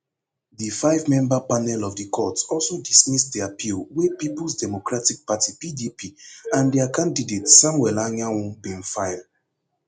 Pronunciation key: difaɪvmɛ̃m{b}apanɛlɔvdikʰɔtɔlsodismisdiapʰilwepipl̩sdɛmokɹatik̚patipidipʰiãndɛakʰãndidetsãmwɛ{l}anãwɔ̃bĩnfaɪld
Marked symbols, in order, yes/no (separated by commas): yes, yes